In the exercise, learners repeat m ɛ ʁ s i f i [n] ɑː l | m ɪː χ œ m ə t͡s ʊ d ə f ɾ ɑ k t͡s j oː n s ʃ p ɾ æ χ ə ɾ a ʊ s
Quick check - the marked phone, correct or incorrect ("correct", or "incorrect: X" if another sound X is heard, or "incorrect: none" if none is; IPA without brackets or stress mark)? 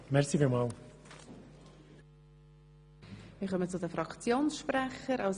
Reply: incorrect: m